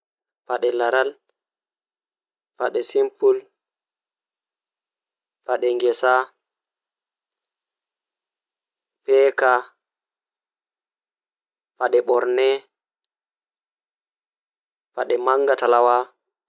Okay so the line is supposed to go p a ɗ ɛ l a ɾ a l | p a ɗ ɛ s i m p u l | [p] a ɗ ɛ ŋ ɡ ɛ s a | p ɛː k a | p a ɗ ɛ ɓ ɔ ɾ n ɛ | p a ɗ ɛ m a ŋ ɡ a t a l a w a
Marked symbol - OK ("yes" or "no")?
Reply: yes